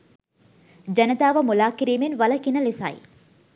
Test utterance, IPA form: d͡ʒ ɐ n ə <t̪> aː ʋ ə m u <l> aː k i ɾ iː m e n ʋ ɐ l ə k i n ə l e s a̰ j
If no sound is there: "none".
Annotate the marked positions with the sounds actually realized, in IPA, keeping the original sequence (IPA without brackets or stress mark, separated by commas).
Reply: t̪, l